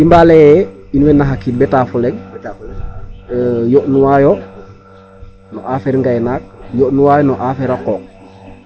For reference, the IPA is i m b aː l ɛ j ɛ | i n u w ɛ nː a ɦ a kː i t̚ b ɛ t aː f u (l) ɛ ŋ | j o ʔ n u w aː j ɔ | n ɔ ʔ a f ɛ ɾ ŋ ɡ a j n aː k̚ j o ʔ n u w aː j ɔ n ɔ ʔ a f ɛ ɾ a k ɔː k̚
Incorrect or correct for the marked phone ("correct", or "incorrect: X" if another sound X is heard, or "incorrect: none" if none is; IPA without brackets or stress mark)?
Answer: correct